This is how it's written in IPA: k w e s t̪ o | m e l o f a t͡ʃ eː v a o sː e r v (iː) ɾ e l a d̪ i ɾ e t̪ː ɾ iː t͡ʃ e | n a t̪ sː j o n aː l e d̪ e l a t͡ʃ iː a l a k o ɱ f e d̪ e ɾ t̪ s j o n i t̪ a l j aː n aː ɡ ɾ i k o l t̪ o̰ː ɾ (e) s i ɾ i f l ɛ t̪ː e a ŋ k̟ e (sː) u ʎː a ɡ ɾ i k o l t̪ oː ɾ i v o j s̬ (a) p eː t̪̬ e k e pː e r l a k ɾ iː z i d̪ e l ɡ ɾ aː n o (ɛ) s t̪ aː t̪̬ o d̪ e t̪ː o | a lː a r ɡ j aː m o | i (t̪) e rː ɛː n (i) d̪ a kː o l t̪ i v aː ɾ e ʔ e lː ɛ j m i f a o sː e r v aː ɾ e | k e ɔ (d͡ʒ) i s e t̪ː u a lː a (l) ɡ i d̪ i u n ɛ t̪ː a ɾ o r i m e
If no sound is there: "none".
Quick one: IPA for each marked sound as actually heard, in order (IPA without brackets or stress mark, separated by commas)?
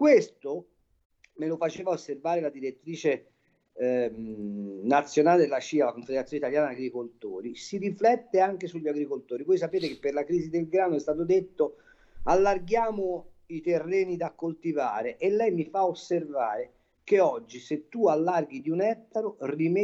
aː, i, s, a, ɛ, t̪, i, d͡ʒː, r